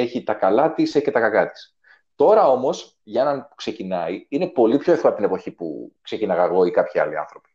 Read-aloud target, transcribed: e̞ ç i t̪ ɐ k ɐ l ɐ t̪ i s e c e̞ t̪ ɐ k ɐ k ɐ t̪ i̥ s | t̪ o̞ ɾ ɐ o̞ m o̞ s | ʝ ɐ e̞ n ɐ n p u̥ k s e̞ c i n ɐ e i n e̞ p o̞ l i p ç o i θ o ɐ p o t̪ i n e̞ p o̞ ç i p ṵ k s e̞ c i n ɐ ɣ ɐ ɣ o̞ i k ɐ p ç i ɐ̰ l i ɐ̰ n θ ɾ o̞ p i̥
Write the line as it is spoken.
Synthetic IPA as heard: e̞ ç i t̪ ɐ k ɐ l ɐ t̪ i s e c e̞ t̪ ɐ k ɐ k ɐ t̪ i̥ s | t̪ o̞ ɾ ɐ o̞ m o̞ s | ʝ ɐ e̞ n ɐ n p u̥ k s e̞ c i n ɐ i i n e̞ p o̞ l i p ç o e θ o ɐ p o t̪ i n e̞ p o̞ ç i p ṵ k s e̞ c i n ɐ ɣ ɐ ɣ o̞ i k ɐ p ç i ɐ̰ l i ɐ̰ n θ ɾ o̞ p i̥